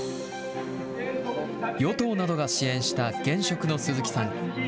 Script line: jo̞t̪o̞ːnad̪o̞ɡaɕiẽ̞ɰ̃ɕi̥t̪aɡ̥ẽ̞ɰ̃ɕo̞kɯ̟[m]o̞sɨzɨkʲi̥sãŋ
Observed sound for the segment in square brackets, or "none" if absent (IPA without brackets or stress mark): n